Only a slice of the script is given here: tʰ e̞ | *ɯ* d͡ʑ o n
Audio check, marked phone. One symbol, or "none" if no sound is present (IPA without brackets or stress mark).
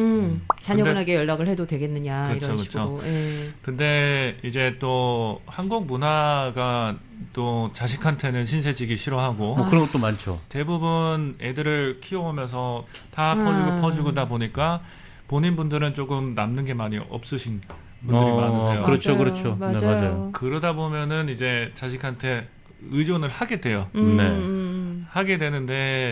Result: ɯ